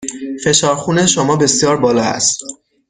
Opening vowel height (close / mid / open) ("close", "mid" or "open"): mid